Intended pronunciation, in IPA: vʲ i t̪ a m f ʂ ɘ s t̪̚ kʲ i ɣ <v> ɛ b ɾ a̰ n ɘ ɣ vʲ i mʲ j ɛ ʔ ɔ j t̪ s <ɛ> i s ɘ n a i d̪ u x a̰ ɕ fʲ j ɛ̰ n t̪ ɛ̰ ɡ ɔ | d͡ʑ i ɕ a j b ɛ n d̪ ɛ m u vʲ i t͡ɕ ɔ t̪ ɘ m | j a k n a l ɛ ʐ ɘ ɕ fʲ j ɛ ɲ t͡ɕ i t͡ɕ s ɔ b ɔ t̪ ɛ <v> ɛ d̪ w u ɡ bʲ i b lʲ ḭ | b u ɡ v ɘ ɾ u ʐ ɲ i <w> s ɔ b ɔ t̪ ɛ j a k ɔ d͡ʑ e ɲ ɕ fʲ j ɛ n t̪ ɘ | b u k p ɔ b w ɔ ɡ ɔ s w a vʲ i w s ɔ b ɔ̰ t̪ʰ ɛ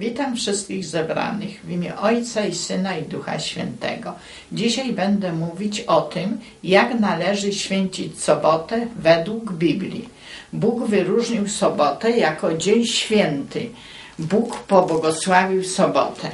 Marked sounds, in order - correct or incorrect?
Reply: incorrect: z, incorrect: a, correct, correct

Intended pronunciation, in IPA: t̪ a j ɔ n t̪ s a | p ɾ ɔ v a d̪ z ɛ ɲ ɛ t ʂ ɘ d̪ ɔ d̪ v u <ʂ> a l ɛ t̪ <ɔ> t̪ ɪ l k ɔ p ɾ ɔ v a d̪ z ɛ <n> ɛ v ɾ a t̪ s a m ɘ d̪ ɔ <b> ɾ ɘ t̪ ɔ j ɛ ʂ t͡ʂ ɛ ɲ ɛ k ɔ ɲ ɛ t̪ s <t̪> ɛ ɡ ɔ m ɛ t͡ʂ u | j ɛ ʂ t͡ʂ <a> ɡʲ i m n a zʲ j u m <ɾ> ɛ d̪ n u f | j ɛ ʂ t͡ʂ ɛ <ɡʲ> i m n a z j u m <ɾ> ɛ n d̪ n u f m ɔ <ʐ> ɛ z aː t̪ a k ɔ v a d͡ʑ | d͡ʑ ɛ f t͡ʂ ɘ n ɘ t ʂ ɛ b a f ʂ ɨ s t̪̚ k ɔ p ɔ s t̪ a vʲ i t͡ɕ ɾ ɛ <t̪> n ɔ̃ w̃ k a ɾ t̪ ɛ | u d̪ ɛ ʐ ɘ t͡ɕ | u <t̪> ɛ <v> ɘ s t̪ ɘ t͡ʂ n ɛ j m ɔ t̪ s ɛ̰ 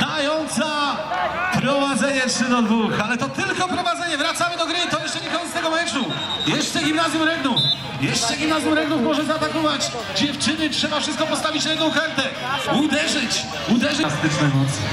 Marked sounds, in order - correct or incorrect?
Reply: incorrect: x, correct, incorrect: ɲ, incorrect: ɡ, correct, incorrect: ɛ, correct, correct, correct, correct, incorrect: d̪, incorrect: d̪, incorrect: ʐ

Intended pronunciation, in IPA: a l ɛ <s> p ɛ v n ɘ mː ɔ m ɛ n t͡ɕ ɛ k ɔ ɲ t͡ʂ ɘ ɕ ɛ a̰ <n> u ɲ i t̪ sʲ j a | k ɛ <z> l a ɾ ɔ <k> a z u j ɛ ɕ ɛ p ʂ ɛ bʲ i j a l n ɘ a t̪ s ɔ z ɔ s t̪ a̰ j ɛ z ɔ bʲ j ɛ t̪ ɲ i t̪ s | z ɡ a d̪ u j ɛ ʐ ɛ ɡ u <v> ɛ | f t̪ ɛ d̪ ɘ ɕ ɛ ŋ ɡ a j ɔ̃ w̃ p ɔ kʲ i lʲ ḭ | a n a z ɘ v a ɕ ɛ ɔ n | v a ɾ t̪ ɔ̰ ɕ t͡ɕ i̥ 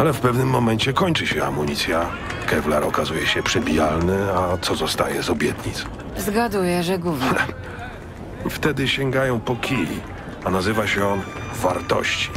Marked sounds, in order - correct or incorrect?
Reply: incorrect: f, incorrect: m, incorrect: v, correct, correct

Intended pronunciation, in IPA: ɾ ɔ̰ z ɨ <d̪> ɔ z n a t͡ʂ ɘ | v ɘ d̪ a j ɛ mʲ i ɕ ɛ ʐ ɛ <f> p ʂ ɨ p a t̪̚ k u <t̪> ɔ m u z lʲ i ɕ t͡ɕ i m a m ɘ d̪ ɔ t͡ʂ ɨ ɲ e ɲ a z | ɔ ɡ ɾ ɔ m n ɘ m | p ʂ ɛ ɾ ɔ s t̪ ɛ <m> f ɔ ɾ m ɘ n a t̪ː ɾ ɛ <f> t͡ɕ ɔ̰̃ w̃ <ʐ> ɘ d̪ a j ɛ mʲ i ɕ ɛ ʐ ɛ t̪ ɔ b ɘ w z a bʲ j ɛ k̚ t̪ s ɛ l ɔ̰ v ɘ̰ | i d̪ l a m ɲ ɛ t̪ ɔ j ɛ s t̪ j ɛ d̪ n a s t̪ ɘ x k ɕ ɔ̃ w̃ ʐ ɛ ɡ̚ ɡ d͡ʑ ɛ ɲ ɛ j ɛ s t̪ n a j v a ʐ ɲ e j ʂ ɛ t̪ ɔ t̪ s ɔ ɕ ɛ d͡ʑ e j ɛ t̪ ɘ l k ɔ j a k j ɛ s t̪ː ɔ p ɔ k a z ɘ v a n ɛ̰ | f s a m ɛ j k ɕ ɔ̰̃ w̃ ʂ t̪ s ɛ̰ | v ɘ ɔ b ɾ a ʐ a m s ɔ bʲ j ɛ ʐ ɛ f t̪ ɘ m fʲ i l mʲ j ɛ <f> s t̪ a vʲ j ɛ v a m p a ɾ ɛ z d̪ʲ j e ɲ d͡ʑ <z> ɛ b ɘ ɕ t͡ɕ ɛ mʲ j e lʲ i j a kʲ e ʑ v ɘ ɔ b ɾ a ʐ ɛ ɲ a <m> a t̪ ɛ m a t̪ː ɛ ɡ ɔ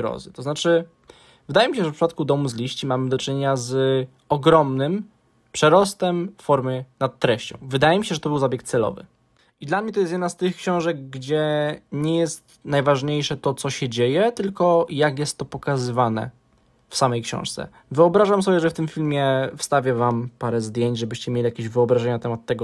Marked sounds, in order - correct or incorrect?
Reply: incorrect: t̪, correct, incorrect: d̪, correct, incorrect: ɕ, incorrect: v, correct, incorrect: ʐ, incorrect: n

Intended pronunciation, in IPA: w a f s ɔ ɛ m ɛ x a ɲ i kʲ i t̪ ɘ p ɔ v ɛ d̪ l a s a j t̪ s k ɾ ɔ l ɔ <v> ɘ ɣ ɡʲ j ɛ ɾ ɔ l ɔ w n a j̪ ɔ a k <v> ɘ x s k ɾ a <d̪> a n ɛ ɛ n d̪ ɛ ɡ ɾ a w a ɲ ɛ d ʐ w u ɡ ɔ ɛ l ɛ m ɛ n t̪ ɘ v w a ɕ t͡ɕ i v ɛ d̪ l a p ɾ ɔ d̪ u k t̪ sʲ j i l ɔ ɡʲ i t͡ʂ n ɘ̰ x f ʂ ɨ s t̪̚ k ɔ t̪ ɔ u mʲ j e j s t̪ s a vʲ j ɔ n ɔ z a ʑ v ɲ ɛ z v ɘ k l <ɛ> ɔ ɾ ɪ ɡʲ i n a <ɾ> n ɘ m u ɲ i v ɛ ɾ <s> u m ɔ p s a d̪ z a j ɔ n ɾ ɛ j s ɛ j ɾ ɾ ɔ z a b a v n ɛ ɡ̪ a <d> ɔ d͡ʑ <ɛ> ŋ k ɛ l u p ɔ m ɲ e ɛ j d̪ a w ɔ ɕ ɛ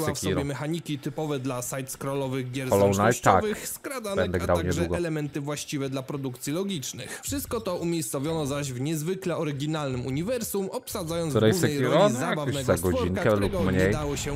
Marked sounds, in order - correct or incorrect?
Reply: correct, correct, correct, correct, incorrect: l, correct, incorrect: ɡ, incorrect: i

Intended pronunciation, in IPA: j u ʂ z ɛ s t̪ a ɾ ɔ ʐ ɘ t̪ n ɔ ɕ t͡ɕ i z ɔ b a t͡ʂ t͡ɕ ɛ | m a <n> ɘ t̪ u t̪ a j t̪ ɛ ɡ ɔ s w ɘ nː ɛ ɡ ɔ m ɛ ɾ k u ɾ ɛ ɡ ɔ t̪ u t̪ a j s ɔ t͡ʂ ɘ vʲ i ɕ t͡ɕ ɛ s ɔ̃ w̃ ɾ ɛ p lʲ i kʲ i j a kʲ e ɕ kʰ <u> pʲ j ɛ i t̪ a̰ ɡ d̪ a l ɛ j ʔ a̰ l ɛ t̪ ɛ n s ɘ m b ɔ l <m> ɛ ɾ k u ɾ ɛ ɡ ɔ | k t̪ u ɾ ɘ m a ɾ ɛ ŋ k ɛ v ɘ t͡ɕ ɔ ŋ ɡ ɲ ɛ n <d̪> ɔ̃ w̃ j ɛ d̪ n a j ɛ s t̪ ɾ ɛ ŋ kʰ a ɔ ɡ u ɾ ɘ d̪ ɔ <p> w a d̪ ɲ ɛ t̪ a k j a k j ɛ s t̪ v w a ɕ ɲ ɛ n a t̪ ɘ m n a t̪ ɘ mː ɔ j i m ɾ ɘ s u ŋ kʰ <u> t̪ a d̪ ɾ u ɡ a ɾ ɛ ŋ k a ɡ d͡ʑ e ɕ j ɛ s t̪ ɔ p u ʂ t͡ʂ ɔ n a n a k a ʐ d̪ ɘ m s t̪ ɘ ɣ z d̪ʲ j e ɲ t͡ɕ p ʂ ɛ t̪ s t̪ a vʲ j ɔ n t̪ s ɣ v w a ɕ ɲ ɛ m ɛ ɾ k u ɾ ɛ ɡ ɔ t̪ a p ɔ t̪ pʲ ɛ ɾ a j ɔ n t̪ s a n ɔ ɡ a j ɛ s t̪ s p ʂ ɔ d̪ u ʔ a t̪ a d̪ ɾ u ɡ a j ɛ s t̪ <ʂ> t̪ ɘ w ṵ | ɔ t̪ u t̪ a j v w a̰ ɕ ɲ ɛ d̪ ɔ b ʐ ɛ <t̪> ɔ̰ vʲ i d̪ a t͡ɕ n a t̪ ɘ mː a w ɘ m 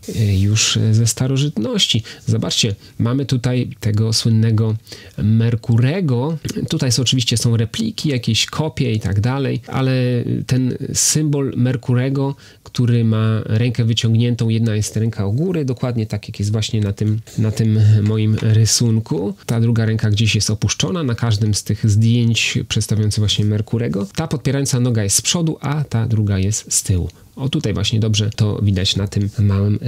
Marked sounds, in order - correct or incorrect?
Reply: incorrect: m, incorrect: ɔ, correct, incorrect: t̪, incorrect: k, correct, incorrect: s, correct

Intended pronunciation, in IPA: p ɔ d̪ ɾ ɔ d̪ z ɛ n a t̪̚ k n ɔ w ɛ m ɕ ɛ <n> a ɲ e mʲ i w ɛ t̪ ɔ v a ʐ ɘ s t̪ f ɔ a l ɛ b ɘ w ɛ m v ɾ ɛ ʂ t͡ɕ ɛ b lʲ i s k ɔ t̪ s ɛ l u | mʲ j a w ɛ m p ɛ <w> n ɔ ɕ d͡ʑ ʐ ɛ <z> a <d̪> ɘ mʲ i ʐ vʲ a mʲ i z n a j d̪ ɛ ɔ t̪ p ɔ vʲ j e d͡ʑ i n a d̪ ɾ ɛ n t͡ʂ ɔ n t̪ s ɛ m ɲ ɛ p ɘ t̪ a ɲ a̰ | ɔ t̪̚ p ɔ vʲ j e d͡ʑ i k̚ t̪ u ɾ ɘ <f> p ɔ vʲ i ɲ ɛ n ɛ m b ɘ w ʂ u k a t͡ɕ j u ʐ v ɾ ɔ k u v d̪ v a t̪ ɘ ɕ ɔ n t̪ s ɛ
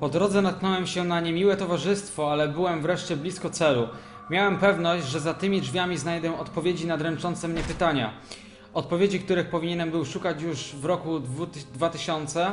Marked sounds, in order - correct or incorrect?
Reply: correct, incorrect: v, correct, incorrect: t̪, incorrect: x

